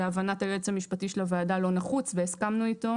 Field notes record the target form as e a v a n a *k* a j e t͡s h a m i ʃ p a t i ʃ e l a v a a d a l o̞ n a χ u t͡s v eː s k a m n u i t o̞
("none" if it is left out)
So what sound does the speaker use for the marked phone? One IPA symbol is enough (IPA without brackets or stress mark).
t